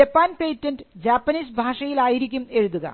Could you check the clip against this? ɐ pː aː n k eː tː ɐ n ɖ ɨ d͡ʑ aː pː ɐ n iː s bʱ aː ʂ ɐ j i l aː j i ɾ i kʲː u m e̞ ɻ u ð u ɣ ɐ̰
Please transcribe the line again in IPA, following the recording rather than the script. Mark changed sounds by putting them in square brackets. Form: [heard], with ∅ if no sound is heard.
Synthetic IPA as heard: ɐ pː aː n [p] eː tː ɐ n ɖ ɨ d͡ʑ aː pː ɐ n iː s bʱ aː ʂ ɐ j i l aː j i ɾ i kʲː u m e̞ ɻ u ð u ɣ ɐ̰